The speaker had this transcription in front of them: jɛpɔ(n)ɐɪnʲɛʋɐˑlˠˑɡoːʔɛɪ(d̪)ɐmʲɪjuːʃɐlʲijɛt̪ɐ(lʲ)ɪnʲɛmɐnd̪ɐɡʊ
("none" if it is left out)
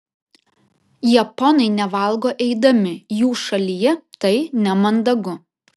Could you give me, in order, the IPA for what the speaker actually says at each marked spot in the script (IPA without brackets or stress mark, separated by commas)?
n, d̪, none